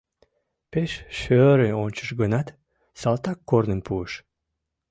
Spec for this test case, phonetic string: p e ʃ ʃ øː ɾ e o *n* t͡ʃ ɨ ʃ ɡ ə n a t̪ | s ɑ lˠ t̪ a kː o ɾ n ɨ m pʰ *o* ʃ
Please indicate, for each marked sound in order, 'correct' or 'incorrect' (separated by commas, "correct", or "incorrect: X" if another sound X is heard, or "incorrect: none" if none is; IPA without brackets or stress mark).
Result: correct, incorrect: u